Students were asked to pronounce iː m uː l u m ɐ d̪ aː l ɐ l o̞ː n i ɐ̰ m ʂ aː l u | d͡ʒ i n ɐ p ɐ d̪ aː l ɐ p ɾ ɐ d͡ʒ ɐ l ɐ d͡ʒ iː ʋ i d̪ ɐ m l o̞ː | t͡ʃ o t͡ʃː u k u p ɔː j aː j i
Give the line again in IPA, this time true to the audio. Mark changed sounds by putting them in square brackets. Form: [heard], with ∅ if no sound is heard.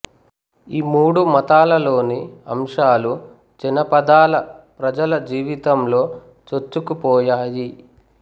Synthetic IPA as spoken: iː m uː [ɽ] u m ɐ [t̪] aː l ɐ l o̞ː n i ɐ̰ m ʂ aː l u | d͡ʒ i n ɐ p ɐ d̪ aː l ɐ p ɾ ɐ d͡ʒ ɐ l ɐ d͡ʒ iː ʋ i [t̪] ɐ m l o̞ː | t͡ʃ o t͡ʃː u k u p ɔː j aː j i

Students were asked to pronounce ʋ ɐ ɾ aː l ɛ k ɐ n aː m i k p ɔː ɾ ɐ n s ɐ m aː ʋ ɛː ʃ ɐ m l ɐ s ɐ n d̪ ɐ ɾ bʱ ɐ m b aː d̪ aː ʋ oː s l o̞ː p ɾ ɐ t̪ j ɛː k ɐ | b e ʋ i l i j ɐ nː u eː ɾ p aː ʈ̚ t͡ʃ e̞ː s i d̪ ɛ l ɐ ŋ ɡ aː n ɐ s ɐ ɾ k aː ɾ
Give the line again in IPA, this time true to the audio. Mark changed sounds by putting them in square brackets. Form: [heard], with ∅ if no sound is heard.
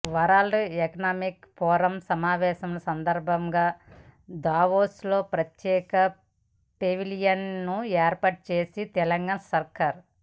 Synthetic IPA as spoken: ʋ ɐ ɾ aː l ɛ k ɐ n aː m i k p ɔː ɾ ɐ [m] s ɐ m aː ʋ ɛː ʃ ɐ m l ɐ s ɐ n d̪ ɐ ɾ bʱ ɐ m [ɡ] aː d̪ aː ʋ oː s l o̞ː p ɾ ɐ t̪ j ɛː k ɐ | [p] e ʋ i l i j ɐ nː u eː ɾ p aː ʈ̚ t͡ʃ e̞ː s i [t̪] ɛ l ɐ ŋ ɡ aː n ɐ s ɐ ɾ k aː ɾ

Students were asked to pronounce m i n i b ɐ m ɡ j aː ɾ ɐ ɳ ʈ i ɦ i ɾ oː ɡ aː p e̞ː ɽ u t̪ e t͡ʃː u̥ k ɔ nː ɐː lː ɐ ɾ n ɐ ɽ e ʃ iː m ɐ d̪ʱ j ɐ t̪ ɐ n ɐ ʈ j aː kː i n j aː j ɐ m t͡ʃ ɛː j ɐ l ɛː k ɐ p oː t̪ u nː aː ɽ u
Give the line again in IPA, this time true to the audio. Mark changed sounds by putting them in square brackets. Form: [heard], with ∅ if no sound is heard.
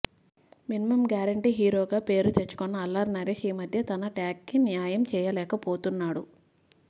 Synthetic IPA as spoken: m i n i [m] ɐ m ɡ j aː ɾ ɐ ɳ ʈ i ɦ [iː] ɾ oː ɡ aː p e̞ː [ɾ] u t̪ e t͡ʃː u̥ k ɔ nː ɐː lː ɐ ɾ n ɐ [ɾ] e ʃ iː m ɐ d̪ʱ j ɐ t̪ ɐ n ɐ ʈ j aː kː i n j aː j ɐ m t͡ʃ ɛː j ɐ l ɛː k ɐ p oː t̪ u nː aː ɽ u

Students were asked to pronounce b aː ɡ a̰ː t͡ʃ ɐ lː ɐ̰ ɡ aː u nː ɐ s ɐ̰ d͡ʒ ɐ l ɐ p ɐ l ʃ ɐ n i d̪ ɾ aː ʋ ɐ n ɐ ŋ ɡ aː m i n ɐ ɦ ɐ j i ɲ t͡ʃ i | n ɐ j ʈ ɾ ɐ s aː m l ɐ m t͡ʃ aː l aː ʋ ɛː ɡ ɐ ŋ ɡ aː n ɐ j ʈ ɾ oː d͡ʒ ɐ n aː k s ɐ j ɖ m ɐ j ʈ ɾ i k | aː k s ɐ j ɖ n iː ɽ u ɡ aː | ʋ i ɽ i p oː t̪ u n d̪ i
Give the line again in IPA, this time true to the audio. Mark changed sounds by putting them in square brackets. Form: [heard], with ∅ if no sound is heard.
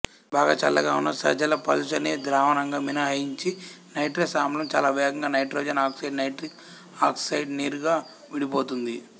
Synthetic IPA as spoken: b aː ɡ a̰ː t͡ʃ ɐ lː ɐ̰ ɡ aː u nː ɐ s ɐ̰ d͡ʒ ɐ l ɐ p ɐ l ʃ ɐ n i d̪ ɾ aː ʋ ɐ n ɐ ŋ ɡ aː m i n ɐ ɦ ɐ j i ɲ t͡ʃ i | n ɐ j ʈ ɾ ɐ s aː m l ɐ m t͡ʃ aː l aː ʋ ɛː ɡ ɐ ŋ ɡ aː n ɐ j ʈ ɾ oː d͡ʒ ɐ n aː k s ɐ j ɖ [n] ɐ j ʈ ɾ i k | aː k s ɐ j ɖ n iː [ɾ] u ɡ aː | ʋ i ɽ i p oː t̪ u n d̪ i

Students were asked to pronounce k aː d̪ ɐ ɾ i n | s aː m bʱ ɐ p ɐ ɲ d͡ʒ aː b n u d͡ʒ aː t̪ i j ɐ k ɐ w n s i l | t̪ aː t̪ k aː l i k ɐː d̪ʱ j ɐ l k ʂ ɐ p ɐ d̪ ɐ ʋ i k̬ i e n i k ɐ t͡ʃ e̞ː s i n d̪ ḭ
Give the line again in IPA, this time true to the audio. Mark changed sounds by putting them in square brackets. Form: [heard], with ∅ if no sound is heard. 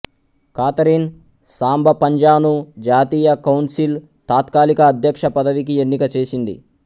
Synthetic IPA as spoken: k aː [t̪] ɐ ɾ i n | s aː m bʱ ɐ p ɐ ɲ d͡ʒ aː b n u d͡ʒ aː t̪ [iː] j ɐ k ɐ w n s i l | t̪ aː t̪ k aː l i k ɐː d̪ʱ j ɐ [∅] k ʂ ɐ p ɐ d̪ ɐ ʋ i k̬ i e [nː] i k ɐ t͡ʃ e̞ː s i n d̪ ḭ

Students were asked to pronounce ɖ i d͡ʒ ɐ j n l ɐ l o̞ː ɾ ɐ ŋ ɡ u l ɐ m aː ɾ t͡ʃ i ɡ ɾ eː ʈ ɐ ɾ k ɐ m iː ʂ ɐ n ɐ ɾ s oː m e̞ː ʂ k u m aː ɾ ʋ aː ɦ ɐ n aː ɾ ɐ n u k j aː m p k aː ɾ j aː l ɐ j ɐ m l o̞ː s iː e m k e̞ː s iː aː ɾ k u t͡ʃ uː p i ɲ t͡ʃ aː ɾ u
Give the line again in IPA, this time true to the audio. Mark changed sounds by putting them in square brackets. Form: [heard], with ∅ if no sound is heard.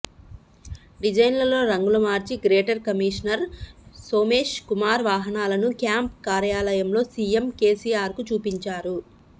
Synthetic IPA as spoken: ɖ i d͡ʒ ɐ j n l ɐ l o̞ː ɾ ɐ ŋ ɡ u l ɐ m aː ɾ t͡ʃ i ɡ ɾ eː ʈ ɐ ɾ k ɐ m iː ʂ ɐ n ɐ ɾ s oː m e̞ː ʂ k u m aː ɾ ʋ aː ɦ ɐ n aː [l] ɐ n u k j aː m p k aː ɾ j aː l ɐ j ɐ m l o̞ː s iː e m k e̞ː s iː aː ɾ k u t͡ʃ uː p i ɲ t͡ʃ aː ɾ u

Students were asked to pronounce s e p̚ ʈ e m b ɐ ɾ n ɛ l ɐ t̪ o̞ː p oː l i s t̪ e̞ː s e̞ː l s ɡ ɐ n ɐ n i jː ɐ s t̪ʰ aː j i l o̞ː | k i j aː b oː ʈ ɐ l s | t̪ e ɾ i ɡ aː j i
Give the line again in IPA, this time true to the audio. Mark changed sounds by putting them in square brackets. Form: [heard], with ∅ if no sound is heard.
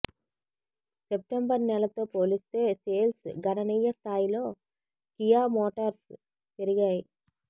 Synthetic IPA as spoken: s e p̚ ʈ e m b ɐ ɾ n ɛ l ɐ t̪ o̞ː p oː l i s t̪ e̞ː s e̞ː l s ɡ ɐ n ɐ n i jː ɐ s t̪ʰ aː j i l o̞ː | k i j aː [m] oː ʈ ɐ [ɾ] s | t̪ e ɾ i ɡ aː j i

